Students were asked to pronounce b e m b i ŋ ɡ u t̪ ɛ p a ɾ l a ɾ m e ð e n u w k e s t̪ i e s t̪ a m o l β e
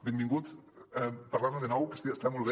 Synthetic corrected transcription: b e m b i ŋ ɡ u t̪ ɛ p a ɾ l a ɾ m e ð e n ɔ w k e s t̪ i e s t̪ a m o l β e